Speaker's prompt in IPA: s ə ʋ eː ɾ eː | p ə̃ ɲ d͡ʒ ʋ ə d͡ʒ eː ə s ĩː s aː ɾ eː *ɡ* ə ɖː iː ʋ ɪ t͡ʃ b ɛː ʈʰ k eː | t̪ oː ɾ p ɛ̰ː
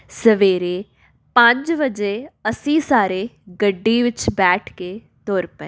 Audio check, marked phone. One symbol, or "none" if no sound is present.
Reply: ɡ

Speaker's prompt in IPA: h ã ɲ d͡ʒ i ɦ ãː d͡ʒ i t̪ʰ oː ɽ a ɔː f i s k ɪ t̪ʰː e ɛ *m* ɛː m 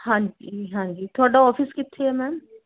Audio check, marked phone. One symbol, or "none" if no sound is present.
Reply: m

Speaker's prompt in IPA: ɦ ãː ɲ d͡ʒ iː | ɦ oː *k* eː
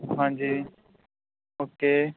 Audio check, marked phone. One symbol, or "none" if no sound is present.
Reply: k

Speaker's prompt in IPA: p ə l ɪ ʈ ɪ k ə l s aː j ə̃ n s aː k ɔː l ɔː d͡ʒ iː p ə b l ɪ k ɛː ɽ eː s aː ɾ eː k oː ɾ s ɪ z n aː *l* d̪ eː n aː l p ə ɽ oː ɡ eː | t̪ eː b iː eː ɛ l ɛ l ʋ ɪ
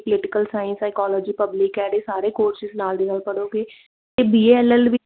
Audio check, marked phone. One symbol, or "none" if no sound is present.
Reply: l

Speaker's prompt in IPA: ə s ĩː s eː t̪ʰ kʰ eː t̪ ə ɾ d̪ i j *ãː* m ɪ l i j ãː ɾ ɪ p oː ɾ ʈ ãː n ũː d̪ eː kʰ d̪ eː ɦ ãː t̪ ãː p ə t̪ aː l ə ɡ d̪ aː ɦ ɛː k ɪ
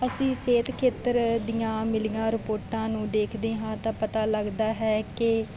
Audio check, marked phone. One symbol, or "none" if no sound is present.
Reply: ãː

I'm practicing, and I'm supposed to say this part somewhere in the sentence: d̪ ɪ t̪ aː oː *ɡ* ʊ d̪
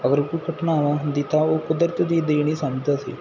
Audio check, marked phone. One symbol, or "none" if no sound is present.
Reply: k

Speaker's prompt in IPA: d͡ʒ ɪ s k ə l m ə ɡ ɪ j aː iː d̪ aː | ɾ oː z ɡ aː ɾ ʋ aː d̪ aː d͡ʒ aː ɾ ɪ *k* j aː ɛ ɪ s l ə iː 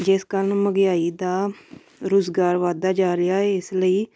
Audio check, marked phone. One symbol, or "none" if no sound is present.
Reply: none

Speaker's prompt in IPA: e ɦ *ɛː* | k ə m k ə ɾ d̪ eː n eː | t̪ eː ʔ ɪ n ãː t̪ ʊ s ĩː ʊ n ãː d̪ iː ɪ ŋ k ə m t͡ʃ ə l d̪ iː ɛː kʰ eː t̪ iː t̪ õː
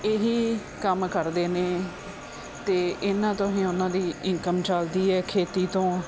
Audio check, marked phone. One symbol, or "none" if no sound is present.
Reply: iː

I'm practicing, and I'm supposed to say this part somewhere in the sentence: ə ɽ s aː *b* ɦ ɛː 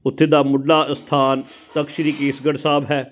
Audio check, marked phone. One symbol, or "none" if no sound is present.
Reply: b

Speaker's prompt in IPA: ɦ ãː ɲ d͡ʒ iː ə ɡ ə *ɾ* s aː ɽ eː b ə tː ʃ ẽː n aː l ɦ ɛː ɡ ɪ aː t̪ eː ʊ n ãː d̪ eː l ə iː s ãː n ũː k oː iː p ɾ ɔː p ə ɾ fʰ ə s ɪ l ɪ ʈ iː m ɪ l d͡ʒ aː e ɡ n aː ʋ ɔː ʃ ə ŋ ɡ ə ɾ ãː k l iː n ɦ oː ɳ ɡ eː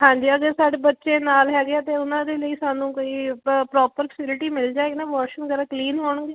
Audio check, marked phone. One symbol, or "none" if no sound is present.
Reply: ɾ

